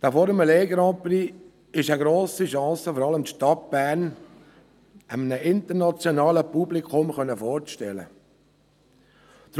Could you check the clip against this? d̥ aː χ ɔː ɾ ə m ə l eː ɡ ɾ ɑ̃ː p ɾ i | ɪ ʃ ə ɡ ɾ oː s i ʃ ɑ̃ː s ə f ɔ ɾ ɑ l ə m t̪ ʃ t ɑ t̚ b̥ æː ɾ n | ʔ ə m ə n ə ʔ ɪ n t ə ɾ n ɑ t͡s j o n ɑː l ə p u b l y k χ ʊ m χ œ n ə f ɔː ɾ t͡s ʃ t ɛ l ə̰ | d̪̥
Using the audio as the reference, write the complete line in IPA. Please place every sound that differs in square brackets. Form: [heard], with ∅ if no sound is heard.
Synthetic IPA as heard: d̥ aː [f] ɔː ɾ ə m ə l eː ɡ ɾ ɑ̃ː p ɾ i | ɪ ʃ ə ɡ ɾ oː s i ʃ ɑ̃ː s ə f ɔ ɾ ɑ l ə m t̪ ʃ t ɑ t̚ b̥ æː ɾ n | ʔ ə m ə n ə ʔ ɪ n t ə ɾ n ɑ t͡s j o n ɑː l ə p u b l [i] k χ ʊ m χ œ n ə f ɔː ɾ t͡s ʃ t ɛ l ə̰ | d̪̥